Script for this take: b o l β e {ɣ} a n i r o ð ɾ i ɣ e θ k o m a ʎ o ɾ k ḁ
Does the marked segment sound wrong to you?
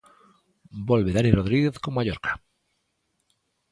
yes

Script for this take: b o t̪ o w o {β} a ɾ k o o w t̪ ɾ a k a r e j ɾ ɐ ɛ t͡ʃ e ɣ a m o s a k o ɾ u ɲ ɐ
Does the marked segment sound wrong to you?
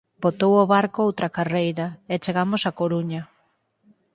no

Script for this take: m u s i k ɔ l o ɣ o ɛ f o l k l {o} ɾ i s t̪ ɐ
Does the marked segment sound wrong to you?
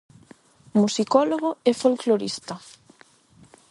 no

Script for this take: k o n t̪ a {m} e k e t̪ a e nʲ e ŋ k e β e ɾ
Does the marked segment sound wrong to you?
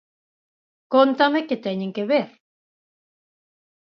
no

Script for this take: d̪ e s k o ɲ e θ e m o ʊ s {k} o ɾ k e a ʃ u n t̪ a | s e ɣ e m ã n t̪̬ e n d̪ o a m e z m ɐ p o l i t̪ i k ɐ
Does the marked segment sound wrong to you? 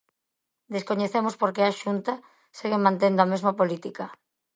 yes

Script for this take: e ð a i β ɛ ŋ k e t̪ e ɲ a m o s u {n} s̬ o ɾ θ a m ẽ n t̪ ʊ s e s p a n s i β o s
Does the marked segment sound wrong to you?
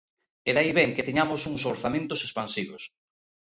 yes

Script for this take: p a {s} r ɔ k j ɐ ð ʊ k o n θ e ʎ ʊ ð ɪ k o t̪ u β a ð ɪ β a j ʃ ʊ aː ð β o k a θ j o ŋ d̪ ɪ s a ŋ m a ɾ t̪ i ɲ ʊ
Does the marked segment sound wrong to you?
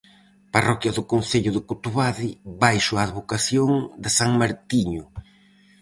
yes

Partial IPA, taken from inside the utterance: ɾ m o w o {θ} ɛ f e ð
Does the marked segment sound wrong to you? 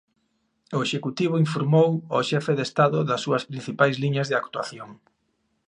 yes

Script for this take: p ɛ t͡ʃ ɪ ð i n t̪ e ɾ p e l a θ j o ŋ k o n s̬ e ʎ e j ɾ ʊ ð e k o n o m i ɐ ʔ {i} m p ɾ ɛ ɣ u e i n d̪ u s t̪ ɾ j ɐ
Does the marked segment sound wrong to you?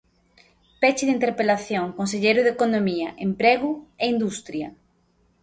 yes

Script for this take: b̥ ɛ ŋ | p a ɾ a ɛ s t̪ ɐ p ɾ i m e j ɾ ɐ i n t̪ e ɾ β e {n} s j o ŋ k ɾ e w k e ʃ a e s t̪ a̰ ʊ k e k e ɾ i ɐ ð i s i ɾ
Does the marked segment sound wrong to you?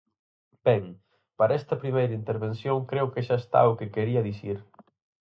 no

